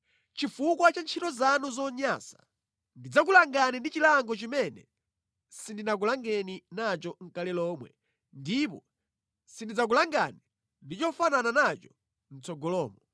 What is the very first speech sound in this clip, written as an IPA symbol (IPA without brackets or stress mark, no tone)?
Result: t͡ʃ